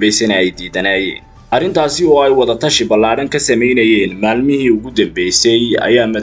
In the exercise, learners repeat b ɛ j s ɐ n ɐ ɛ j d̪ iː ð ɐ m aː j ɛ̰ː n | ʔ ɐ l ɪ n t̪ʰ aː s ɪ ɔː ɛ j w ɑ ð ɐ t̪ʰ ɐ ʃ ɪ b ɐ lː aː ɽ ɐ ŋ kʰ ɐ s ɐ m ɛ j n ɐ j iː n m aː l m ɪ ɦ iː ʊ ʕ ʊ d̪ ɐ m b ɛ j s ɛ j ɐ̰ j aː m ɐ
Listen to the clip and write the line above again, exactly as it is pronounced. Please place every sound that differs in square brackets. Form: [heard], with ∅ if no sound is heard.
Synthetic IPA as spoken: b ɛ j s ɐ n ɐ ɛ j d̪ iː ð ɐ [n] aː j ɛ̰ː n | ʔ ɐ [r] ɪ n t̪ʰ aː s ɪ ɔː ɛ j w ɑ ð ɐ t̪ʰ ɐ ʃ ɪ b ɐ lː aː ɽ ɐ ŋ kʰ ɐ s ɐ m ɛ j n ɐ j [ɛː] n m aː l m ɪ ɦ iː ʊ [ɣ] ʊ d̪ ɐ m b ɛ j s ɛ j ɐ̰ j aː m ɐ

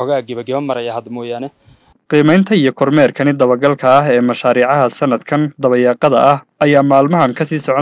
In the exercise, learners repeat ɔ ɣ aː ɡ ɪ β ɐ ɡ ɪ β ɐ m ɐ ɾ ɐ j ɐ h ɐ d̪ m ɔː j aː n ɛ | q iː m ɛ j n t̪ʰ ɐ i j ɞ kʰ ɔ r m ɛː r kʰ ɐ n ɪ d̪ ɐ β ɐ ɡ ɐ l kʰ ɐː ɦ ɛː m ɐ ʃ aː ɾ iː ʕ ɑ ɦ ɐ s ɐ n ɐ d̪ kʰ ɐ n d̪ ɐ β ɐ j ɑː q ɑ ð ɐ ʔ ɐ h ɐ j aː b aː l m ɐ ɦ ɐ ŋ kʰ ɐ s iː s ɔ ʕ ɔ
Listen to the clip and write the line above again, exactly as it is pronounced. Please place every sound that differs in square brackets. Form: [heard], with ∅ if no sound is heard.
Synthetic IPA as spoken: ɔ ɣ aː ɡ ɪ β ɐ ɡ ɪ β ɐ m ɐ ɾ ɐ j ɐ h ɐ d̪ m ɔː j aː n ɛ | q iː m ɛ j n t̪ʰ ɐ i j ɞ kʰ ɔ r m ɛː r kʰ ɐ n ɪ d̪ ɐ β ɐ ɡ ɐ l kʰ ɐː ɦ ɛː m ɐ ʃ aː ɾ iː ʕ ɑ ɦ ɐ s ɐ n ɐ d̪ kʰ ɐ n d̪ ɐ β ɐ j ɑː q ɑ ð ɐ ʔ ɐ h ɐ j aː [m] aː l m ɐ ɦ ɐ ŋ kʰ ɐ s iː s ɔ ʕ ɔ

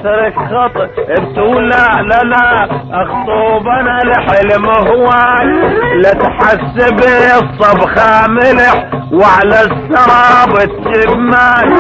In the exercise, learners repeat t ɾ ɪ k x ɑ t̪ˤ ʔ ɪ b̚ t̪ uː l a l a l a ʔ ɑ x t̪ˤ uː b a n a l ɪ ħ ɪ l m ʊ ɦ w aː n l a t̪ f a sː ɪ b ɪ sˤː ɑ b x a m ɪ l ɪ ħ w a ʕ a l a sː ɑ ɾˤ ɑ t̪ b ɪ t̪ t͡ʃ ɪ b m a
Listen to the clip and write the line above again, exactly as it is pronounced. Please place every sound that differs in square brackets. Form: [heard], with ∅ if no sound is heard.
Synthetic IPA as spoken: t ɾ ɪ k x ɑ t̪ˤ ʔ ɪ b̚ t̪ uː l a l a l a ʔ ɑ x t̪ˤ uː b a n a l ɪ ħ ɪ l m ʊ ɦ w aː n l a t̪ [ħ] a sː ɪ b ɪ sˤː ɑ b x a m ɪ l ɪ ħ w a ʕ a l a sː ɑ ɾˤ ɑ [∅] b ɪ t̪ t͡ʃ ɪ b m a

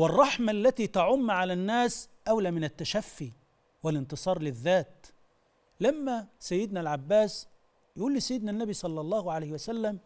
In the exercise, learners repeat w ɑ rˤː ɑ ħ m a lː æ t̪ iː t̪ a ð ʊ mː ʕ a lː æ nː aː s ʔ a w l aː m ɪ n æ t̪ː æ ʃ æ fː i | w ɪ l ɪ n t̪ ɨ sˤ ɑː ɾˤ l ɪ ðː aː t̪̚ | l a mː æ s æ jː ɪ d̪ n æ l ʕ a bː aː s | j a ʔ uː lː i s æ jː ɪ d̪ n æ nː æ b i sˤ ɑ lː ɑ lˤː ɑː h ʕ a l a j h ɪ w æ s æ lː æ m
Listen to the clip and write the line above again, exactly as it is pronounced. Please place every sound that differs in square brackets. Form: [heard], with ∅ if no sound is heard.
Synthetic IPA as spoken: w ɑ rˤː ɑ ħ m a lː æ t̪ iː t̪ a [ʕ] ʊ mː ʕ a [l] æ nː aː s ʔ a w l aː m ɪ n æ t̪ː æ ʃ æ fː i | w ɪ l ɪ n t̪ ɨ sˤ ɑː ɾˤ l ɪ ðː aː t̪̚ | l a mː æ s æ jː ɪ d̪ n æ l ʕ a bː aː s | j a ʔ uː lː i s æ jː ɪ d̪ n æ nː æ b i sˤ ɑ lː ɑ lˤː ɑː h ʕ a l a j h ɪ w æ s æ lː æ m

